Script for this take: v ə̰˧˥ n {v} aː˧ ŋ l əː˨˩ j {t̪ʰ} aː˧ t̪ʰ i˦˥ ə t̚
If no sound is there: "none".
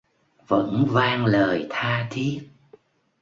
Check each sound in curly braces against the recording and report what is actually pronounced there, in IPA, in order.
v, t̪ʰ

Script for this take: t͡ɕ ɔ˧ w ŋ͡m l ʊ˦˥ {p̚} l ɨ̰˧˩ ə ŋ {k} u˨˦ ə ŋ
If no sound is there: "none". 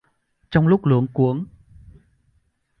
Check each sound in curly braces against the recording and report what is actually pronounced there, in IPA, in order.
k͡p̚, k

